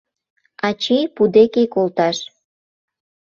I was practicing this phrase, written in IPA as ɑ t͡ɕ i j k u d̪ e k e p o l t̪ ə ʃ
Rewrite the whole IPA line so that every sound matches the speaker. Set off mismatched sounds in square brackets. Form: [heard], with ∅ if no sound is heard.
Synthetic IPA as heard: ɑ t͡ɕ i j [p] u d̪ e k e [k] o l t̪ [ɑ] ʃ